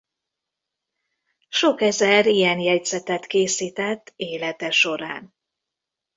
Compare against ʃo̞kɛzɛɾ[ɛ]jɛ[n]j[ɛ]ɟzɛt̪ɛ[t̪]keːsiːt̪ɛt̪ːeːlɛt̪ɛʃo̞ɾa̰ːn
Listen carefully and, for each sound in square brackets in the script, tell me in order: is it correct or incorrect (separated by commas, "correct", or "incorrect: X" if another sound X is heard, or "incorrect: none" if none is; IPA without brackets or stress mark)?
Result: incorrect: i, correct, correct, correct